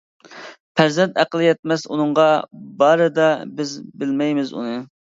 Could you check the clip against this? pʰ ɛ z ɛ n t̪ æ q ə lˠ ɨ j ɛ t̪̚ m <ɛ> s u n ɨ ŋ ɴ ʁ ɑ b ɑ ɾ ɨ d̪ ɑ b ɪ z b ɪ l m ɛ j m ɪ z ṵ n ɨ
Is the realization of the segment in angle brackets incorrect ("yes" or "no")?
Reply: no